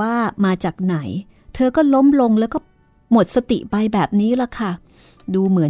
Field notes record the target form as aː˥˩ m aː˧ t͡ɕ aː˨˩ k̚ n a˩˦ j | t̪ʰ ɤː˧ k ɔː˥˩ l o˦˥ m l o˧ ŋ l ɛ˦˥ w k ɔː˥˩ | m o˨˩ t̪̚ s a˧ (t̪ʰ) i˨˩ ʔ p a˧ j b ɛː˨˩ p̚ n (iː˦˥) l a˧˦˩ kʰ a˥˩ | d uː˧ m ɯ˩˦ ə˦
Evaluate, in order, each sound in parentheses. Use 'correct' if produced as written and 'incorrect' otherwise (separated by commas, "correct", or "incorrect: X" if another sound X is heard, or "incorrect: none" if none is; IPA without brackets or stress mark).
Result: incorrect: t̪, correct